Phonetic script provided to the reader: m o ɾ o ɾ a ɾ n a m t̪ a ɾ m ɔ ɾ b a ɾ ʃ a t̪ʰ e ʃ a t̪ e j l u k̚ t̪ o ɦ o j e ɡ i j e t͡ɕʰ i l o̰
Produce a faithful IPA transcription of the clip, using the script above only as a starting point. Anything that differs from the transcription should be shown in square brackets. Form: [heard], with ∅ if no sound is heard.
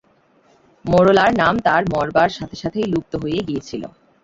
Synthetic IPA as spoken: m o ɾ o [l] a ɾ n a m t̪ a ɾ m ɔ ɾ b a ɾ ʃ a t̪ʰ e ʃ a [t̪ʰ] e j l u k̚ t̪ o ɦ o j e ɡ i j e t͡ɕʰ i l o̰